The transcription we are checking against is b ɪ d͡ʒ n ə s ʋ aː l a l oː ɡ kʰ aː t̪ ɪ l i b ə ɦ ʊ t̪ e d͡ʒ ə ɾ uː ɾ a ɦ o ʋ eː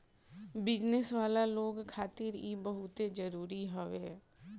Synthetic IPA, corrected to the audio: b ɪ d͡ʒ n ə s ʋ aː l a l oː ɡ kʰ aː t̪ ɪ ɾ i b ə ɦ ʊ t̪ e d͡ʒ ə ɾ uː ɾ i ɦ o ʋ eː